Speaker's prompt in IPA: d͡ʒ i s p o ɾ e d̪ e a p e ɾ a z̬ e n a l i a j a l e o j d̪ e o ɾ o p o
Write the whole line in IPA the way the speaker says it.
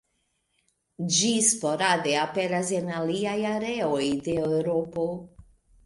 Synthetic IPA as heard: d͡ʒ i s p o ɾ a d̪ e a p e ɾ a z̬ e n a l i a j a ɾ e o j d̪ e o ɾ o p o